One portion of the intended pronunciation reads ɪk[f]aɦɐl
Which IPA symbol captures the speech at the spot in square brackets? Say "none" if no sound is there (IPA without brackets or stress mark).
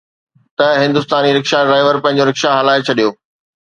ʃ